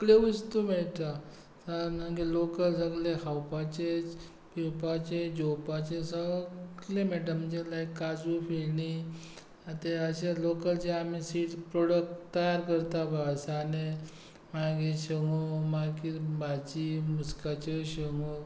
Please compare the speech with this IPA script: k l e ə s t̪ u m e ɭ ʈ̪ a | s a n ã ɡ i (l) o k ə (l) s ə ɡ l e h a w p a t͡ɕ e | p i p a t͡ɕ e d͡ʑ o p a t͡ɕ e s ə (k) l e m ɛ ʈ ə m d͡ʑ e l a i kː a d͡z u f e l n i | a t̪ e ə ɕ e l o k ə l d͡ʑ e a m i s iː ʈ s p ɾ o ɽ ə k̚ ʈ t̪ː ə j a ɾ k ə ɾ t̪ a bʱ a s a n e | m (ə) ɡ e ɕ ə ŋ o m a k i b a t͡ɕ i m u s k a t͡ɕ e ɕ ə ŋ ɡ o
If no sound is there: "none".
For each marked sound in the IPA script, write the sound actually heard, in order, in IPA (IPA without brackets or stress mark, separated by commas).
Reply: l, l, ɡ, a